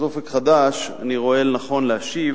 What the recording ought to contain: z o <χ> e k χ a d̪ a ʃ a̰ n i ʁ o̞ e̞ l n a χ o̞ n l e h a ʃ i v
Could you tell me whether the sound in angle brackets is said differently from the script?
yes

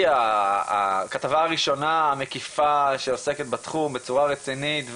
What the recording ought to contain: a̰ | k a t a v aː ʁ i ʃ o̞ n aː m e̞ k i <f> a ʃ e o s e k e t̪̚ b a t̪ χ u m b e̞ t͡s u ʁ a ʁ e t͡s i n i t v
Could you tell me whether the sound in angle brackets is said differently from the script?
no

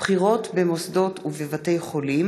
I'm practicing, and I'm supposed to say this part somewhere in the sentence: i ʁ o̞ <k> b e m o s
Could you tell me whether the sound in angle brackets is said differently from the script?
yes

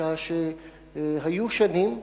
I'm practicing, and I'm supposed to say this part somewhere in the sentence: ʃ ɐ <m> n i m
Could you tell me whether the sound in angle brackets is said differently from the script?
yes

